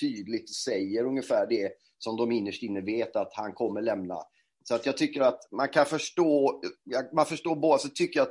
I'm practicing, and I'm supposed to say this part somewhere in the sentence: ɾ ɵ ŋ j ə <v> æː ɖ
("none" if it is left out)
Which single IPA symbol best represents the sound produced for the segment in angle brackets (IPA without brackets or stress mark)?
f